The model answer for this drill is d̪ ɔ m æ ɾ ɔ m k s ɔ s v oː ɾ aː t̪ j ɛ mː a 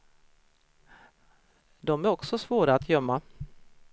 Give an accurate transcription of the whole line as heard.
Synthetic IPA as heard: d̪ ɔ m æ ɾ ɔ k s ɔ s v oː ɾ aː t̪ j œ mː a

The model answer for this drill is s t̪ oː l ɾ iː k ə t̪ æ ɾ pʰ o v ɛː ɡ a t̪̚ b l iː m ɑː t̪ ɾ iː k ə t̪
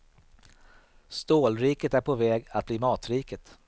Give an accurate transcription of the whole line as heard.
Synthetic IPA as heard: s t̪ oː l ɾ iː k ə t̪ æ ɾ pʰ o v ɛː ɡ a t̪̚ b l iː m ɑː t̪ ɾ iː k ə t̪

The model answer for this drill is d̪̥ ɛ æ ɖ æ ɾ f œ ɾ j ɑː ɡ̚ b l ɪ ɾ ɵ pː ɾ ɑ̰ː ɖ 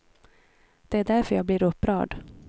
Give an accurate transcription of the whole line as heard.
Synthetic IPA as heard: d̪̥ ɛ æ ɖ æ ɾ f œ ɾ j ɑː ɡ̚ b l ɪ ɾ ɵ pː ɾ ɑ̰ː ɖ

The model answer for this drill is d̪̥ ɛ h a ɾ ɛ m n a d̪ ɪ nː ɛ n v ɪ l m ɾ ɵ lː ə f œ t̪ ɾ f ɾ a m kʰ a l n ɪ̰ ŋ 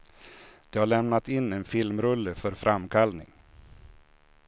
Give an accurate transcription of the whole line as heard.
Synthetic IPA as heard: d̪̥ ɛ h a ɭ ɛ m n a t̪ ɪ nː ɛ n f ɪ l m ɾ ɵ lː ə f œ ɾ f ɾ a m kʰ a l n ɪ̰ ŋ

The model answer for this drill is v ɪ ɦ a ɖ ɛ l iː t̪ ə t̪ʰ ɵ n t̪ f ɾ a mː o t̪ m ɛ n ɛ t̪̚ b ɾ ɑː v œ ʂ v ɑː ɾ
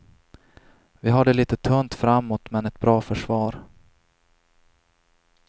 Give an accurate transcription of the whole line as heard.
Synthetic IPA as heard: v ɪ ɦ a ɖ ɛ l iː t̪ ə t̪ʰ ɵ n t̪ f ɾ a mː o t̪ m ɛ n ɛ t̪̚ b ɾ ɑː f œ ʂ v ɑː ɾ

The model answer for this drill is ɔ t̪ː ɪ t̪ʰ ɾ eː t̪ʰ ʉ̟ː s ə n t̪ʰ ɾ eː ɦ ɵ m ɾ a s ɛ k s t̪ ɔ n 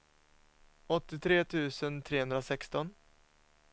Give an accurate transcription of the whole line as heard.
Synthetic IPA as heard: ɔ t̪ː ɪ t̪ʰ ɾ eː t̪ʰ ʉ̟ː s ə n t̪ʰ ɾ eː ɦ ɵ n ɾ a s ɛ k s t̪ ɔ n

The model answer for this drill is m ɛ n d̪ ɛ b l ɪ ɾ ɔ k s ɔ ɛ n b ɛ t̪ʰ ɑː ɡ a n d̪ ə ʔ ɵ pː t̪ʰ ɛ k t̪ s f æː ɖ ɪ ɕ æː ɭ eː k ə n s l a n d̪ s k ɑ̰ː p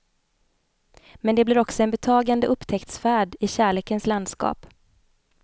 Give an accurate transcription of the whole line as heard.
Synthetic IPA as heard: m ɛ n d̪ ɛ b l ɪ ɾ ɔ k s ɔ ɛ n b ɛ t̪ʰ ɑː ɡ a n d̪ ə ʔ ɵ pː t̪ʰ ɛ k t̪ s f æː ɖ ɪ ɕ æː ɭ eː k ə n s l a n d̪ s k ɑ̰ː p

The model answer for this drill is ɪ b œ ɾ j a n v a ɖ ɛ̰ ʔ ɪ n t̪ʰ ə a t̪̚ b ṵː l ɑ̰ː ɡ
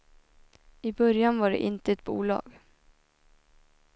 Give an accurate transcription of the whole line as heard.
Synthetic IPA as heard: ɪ b œ ɾ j a n v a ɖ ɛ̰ ʔ ɪ n t̪ ə ɛ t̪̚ b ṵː l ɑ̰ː ɡ

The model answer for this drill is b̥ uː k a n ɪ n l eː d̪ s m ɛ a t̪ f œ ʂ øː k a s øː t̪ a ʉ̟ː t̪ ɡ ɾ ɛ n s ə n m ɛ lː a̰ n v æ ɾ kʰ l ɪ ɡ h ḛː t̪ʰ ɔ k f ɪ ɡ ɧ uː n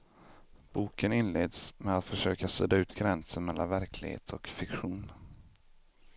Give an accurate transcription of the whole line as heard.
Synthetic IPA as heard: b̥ uː k ə n ɪ n l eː d̪ s m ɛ a t̪ f œ ʂ øː k a s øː d̪ a ʉ̟ː t̪ ɡ ɾ ɛ n s ə n m ɛ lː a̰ n v æ ɾ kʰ l ɪ ɡ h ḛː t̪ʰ ɔ k f ɪ k ɧ uː n

